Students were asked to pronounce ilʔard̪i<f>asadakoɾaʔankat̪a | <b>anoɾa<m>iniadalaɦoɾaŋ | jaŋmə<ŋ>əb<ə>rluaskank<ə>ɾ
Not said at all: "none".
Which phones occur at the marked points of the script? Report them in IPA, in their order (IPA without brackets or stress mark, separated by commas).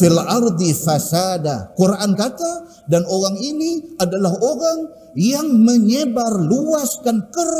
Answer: f, d, ŋ, ɲ, a, ə